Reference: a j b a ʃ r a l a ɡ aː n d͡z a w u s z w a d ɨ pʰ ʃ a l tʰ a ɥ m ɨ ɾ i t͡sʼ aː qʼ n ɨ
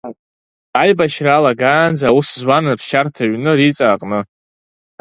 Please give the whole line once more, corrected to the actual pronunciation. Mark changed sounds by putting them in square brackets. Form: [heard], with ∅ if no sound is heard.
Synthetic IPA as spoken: a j b a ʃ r a l a ɡ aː n d͡z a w u s z w a [n] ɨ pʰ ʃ a [r] tʰ a ɥ [n] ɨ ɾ i t͡sʼ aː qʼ n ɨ